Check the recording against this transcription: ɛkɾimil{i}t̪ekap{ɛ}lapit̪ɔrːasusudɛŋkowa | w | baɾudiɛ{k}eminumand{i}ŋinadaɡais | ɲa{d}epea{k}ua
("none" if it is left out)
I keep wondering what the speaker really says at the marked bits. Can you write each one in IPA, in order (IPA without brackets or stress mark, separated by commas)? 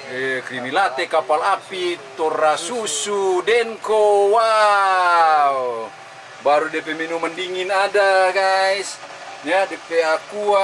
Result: a, a, p, i, d, k